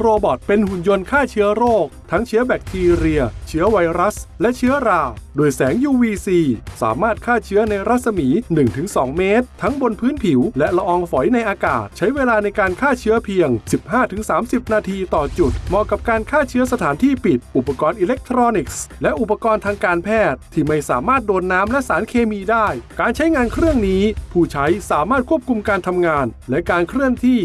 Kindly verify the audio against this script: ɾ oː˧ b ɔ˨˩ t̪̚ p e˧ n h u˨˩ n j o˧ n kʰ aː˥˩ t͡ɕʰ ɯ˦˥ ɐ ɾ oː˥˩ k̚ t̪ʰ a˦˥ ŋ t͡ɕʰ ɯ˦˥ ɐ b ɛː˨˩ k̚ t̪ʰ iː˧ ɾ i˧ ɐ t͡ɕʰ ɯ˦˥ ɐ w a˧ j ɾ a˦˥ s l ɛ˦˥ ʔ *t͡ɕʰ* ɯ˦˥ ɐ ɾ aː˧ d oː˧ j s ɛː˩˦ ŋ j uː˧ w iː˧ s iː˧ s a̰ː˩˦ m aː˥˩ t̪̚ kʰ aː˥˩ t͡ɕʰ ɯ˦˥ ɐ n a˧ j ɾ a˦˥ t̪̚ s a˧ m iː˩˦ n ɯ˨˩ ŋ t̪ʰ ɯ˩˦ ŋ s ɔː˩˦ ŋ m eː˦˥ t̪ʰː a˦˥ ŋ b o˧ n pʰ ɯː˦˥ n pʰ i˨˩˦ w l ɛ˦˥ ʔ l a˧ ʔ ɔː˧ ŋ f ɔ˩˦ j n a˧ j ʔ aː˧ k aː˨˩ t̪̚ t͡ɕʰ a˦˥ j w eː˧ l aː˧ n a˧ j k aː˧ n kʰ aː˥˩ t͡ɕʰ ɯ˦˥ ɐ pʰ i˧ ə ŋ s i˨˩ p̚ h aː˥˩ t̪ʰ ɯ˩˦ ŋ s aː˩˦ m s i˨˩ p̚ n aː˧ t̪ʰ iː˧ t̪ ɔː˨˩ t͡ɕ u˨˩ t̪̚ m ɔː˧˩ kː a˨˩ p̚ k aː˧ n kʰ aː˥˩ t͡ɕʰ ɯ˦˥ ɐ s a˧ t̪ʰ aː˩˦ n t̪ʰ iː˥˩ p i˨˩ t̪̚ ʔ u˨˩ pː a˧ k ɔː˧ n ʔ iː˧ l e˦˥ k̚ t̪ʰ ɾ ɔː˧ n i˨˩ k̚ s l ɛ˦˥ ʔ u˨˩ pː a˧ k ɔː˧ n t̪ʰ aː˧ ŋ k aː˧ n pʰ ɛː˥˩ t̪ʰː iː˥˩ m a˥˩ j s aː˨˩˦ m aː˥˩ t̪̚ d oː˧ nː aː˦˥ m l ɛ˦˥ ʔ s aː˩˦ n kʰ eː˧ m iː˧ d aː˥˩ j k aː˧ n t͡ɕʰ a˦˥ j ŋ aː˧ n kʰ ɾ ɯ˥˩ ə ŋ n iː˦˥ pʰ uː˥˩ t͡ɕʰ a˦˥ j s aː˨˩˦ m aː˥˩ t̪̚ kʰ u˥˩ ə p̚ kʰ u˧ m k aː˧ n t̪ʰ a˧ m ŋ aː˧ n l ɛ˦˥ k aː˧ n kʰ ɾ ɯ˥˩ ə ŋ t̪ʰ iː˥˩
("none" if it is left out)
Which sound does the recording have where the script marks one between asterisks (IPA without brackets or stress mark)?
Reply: t͡ɕʰ